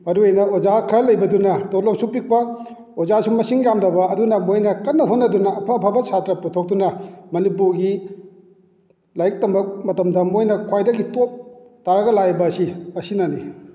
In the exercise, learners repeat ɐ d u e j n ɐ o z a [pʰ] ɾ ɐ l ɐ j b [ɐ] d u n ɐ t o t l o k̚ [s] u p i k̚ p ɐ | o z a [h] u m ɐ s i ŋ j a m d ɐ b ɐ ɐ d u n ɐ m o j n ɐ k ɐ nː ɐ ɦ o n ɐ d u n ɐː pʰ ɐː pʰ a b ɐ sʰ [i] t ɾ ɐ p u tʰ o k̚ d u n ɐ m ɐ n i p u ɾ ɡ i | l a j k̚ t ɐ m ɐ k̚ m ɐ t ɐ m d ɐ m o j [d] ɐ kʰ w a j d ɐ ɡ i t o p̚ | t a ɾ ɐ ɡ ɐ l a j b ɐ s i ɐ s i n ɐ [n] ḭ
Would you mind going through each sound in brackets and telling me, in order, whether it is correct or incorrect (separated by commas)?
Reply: incorrect, correct, correct, incorrect, incorrect, incorrect, correct